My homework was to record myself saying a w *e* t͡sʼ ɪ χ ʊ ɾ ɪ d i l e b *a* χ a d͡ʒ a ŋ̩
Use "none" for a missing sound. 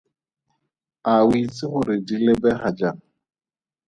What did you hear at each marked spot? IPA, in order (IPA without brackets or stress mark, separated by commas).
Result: i, ɛ